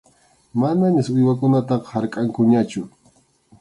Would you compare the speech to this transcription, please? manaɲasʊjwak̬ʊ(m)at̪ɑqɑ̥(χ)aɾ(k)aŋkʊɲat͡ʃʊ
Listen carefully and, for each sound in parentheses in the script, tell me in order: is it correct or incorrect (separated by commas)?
incorrect, incorrect, incorrect